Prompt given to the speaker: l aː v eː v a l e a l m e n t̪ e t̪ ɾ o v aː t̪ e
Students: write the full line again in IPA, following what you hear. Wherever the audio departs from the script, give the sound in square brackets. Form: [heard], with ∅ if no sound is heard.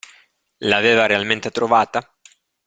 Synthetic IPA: l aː v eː v a [ɾ] e a l m e n t̪ e t̪ ɾ o v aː t̪ [a]